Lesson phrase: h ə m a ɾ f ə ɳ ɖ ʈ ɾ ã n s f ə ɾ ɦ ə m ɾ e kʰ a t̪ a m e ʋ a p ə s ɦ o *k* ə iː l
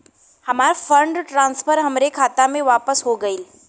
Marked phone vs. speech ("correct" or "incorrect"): incorrect